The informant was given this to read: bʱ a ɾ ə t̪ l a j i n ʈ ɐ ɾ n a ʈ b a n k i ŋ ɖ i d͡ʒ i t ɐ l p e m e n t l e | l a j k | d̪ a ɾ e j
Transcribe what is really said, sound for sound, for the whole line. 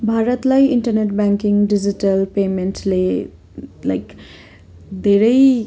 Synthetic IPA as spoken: bʱ a ɾ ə t̪ l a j i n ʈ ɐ ɾ n e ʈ b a ŋ k i ŋ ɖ i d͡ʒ i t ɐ l p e m e n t l e | l a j k | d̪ e ɾ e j